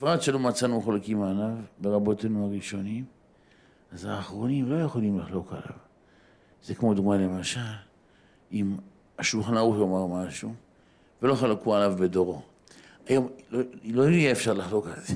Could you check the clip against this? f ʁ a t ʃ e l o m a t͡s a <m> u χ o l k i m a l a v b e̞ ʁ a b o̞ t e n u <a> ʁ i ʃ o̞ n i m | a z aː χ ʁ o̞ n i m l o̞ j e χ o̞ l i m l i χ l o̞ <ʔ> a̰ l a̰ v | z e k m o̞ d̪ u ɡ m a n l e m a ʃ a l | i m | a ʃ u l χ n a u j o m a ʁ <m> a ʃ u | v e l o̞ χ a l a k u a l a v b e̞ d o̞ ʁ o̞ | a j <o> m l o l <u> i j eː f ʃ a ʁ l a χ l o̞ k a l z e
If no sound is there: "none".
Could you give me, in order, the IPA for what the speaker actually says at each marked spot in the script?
n, a, k, m, o, o

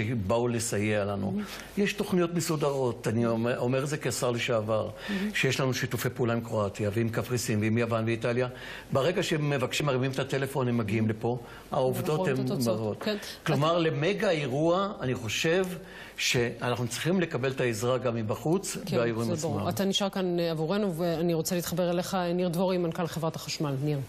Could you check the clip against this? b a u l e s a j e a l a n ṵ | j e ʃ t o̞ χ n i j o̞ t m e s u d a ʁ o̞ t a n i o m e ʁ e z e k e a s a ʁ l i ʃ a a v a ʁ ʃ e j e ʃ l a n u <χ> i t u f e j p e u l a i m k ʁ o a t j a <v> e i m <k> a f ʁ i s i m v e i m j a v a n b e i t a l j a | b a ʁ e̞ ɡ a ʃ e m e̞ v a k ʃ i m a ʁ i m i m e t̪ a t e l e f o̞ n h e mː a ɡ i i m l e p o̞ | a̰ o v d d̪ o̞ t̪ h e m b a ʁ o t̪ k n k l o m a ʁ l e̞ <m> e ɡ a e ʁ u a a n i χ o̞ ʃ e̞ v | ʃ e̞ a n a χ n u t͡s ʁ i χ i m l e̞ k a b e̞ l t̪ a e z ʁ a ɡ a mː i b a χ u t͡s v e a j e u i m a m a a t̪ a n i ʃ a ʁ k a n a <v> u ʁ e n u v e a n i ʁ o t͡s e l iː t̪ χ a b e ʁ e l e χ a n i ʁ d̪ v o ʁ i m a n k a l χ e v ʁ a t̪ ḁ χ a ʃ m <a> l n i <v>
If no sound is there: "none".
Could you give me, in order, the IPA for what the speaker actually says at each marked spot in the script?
ʃ, v, k, m, v, a, ʁ

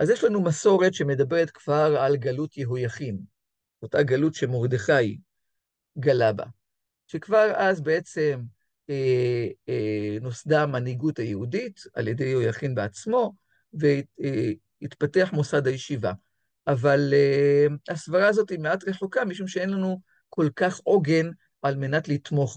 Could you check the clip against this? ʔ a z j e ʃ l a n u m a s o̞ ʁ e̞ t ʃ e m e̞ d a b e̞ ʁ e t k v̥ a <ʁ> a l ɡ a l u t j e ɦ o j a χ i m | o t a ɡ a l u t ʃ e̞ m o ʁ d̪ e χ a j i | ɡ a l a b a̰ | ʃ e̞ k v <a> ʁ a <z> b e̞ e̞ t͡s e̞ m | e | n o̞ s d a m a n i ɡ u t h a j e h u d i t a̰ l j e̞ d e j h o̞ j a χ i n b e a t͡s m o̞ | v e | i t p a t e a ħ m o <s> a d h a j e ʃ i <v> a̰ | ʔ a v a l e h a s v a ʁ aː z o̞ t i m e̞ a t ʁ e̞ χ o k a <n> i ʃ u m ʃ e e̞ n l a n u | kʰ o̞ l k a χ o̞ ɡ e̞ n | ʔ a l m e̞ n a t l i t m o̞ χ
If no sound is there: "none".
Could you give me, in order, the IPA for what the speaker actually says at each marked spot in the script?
ʁ, a, z, s, v, m

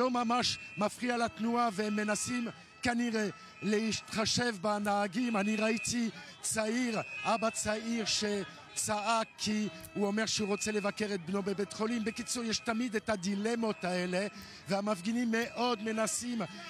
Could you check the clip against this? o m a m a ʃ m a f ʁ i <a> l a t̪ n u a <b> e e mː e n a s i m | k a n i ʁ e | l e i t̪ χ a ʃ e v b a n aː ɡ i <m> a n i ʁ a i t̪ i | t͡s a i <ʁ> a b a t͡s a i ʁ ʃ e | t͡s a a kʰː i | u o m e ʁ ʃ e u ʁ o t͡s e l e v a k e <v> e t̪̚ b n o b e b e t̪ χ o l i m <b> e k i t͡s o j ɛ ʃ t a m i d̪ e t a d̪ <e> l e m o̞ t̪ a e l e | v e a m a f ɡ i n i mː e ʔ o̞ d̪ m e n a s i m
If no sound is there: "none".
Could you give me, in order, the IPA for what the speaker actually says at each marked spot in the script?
a, v, m, ʁ, ʁ, b, i

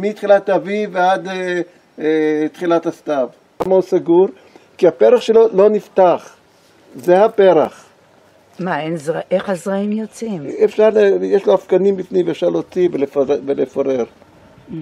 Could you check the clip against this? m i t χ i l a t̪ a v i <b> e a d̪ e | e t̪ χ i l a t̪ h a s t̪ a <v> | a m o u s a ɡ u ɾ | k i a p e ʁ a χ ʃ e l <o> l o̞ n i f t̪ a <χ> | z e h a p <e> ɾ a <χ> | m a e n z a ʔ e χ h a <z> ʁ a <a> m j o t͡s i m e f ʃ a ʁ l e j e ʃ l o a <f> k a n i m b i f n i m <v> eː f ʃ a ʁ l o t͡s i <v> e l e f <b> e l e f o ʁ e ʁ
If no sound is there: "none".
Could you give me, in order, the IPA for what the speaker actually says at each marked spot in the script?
v, v, o, χ, e, χ, z, i, f, v, v, v

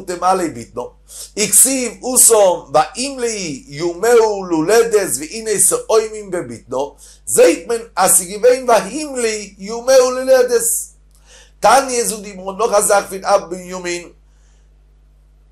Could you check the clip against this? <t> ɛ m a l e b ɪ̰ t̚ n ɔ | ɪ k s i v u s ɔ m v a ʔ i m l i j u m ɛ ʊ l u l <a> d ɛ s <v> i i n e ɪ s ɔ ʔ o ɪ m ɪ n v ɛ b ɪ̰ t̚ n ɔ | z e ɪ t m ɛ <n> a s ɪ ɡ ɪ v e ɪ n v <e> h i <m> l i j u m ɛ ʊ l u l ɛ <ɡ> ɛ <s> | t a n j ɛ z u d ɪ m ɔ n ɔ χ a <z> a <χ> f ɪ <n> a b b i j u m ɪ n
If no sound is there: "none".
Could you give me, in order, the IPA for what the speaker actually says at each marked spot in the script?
t, ɛ, v, n, a, m, d, s, z, χ, n

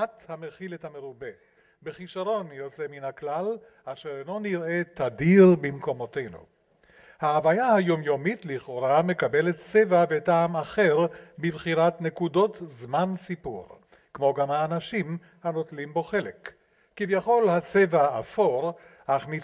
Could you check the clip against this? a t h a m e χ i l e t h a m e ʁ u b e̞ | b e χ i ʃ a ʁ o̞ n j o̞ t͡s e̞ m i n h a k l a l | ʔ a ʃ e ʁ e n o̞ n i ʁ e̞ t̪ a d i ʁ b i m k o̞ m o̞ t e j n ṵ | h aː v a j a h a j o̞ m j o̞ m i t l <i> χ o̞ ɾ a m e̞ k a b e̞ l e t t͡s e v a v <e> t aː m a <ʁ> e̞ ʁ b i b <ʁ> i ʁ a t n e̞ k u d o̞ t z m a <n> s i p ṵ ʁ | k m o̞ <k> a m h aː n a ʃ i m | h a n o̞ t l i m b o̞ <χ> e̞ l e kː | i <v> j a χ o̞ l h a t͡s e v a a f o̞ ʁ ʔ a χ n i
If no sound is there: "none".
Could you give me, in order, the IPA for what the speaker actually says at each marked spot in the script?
i, e, χ, χ, n, ɡ, χ, v

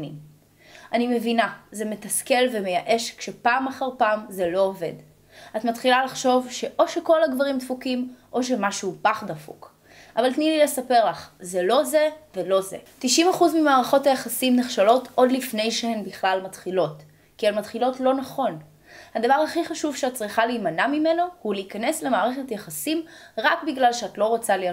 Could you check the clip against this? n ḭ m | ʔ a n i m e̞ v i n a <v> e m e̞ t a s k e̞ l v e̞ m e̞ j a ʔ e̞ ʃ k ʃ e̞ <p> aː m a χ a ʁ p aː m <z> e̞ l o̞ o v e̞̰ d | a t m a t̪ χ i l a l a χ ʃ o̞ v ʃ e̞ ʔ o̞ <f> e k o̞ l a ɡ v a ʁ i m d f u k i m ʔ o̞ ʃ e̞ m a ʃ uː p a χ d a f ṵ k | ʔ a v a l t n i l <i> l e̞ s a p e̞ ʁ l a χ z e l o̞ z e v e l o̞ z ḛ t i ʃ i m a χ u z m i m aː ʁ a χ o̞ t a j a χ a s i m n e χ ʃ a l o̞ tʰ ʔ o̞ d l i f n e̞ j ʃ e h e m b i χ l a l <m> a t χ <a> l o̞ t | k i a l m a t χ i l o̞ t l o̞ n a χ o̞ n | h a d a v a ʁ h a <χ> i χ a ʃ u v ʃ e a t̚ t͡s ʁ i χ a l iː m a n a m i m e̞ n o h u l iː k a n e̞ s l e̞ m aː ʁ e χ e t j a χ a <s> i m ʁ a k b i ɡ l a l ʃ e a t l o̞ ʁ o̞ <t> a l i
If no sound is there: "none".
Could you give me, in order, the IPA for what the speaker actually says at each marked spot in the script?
z, p, z, ʃ, i, m, i, χ, s, t͡s

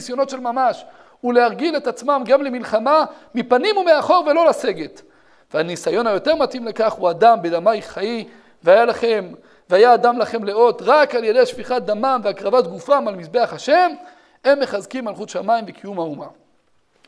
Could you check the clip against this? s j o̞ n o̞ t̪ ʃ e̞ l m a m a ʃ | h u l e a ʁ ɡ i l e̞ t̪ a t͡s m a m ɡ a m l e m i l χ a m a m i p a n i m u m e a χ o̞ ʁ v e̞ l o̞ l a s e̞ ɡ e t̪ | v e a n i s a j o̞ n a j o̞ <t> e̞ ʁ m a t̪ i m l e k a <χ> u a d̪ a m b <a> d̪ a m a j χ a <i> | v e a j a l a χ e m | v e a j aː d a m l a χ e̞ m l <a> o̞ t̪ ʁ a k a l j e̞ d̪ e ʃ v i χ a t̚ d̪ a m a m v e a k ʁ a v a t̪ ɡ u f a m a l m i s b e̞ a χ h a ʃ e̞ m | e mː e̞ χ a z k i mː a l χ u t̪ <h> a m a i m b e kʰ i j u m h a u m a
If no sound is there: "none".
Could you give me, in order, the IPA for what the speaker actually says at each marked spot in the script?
t, χ, e, i, e, ʃ

